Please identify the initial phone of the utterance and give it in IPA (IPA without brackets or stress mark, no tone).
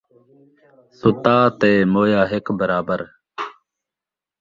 s